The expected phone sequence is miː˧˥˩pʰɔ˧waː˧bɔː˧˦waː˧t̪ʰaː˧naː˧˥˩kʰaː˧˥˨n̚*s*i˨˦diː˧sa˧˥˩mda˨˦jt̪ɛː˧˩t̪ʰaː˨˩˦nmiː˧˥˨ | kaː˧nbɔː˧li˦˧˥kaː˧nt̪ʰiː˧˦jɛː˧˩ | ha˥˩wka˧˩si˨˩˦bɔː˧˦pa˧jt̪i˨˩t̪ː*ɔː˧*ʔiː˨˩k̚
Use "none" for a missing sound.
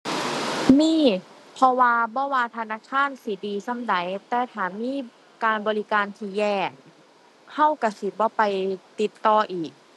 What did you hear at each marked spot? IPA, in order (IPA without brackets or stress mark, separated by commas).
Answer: s, ɔː˧